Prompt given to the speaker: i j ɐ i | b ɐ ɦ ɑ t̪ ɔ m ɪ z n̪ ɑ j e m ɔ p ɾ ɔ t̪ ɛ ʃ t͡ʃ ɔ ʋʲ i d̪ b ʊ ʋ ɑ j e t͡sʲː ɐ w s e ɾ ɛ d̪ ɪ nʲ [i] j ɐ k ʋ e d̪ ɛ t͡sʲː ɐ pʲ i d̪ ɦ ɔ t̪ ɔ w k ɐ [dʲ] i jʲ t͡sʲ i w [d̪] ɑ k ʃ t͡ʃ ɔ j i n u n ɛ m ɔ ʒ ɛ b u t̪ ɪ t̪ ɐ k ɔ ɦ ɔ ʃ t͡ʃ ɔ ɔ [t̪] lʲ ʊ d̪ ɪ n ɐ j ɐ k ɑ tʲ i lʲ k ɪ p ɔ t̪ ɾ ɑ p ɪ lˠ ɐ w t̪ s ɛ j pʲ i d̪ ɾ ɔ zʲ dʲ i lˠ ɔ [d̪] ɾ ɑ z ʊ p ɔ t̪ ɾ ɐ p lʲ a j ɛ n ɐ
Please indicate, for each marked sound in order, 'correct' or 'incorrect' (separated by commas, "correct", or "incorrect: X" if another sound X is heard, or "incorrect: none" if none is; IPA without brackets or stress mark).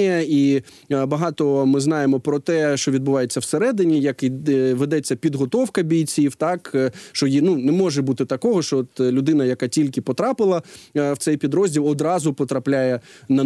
correct, incorrect: bʲ, incorrect: t̪, correct, correct